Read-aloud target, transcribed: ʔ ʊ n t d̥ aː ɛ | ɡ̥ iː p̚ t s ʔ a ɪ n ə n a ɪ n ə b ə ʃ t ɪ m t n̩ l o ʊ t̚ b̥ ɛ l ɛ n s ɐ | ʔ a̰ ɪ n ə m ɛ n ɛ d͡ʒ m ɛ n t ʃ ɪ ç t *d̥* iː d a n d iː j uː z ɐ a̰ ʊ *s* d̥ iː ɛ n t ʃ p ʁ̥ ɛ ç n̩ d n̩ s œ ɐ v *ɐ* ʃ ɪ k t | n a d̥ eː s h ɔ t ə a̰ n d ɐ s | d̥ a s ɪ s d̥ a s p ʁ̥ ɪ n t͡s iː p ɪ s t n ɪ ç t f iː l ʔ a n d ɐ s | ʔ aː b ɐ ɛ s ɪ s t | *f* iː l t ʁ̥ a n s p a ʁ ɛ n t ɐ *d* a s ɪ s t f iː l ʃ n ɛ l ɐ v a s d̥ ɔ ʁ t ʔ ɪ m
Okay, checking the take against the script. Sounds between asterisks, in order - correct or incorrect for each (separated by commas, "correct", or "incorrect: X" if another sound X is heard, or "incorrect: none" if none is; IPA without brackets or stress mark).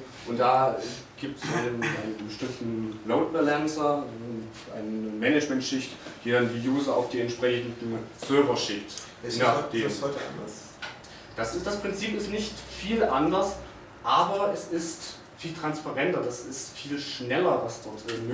correct, incorrect: f, correct, correct, correct